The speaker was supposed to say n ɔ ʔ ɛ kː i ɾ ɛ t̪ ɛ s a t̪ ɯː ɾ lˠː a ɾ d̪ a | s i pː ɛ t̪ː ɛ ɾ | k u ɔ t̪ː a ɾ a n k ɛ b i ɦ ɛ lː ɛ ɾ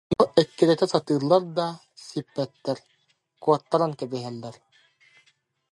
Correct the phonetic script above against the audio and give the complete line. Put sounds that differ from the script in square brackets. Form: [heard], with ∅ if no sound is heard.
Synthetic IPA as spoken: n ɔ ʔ ɛ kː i ɾ ɛ t̪ ɛ s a t̪ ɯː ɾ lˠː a ɾ d̪ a | s i pː ɛ t̪ː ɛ ɾ | k u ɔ t̪ː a ɾ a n k ɛ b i ɦ ɛ lː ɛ ɾ